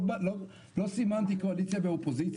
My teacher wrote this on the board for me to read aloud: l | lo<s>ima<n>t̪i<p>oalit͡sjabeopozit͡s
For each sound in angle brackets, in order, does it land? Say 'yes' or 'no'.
yes, yes, no

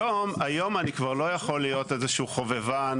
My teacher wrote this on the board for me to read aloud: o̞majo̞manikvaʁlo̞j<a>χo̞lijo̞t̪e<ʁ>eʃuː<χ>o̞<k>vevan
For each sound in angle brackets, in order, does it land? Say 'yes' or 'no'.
yes, no, yes, no

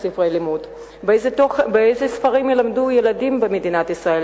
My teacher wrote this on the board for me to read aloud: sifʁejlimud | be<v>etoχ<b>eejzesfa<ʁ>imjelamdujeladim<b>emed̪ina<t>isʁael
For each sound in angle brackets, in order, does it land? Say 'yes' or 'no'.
no, yes, yes, yes, yes

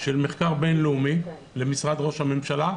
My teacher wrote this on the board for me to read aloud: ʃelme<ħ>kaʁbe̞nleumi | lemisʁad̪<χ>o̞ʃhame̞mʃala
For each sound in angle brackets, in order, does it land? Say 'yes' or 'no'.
no, no

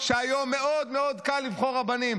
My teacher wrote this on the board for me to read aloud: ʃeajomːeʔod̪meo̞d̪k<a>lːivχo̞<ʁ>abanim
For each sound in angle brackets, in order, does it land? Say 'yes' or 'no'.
yes, yes

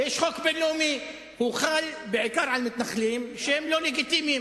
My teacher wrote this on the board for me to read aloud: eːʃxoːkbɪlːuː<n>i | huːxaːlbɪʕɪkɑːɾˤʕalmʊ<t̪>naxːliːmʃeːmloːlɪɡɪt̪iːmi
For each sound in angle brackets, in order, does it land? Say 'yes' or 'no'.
no, yes

